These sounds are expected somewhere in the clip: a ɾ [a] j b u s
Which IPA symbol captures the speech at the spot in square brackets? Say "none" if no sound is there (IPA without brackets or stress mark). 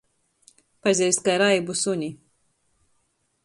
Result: a